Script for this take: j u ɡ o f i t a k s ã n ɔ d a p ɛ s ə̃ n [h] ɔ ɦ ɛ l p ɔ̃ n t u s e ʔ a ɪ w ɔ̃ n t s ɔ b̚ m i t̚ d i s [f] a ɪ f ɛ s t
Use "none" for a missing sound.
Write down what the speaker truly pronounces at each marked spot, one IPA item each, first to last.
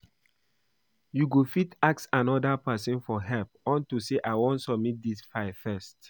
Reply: f, f

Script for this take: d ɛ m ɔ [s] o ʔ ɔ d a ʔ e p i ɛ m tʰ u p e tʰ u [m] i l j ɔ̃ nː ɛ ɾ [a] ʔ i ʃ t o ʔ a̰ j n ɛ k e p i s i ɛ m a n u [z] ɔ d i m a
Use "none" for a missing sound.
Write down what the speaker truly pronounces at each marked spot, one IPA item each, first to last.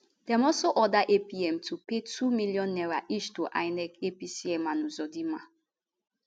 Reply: s, m, a, z

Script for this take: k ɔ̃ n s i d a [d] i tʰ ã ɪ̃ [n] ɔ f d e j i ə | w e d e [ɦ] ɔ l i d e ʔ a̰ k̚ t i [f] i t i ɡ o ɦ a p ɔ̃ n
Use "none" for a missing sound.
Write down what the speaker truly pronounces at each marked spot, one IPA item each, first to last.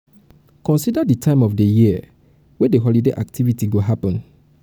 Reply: d, m, ɦ, v

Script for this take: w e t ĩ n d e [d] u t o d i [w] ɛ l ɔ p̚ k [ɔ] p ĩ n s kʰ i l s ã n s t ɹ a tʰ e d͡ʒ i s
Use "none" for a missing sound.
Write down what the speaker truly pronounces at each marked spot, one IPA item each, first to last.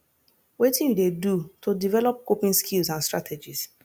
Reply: d, v, o

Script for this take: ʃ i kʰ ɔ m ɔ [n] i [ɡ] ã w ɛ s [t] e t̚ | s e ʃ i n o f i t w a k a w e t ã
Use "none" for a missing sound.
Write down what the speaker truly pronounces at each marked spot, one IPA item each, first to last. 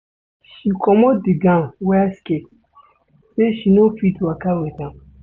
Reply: d, ɡ, k

